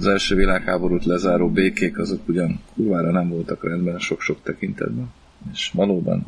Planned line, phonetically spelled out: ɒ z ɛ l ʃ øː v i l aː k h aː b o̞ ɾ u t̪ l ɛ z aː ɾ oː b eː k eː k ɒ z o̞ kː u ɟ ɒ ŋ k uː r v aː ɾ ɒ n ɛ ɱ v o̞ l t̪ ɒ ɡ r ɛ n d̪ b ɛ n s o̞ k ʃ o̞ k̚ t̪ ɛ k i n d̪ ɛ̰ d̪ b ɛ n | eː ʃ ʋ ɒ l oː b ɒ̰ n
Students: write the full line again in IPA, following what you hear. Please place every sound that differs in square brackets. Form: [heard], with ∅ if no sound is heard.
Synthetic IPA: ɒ z ɛ l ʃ øː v i l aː k h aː b o̞ ɾ u t̪ l ɛ z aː ɾ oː b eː k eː k ɒ z o̞ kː u ɟ ɒ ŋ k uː r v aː ɾ ɒ n ɛ ɱ v o̞ l t̪ ɒ [k] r ɛ n d̪ b ɛ n [ʃ] o̞ k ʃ o̞ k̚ t̪ ɛ k i n [t̪] ɛ̰ d̪ b ɛ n | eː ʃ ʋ ɒ l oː b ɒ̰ n